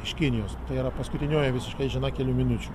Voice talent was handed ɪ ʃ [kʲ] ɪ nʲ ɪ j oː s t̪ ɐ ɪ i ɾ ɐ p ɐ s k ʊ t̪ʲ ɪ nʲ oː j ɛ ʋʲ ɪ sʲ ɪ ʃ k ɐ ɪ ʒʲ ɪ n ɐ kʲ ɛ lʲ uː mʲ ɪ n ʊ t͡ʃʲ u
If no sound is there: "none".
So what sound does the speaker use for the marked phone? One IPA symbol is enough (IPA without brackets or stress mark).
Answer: kʲ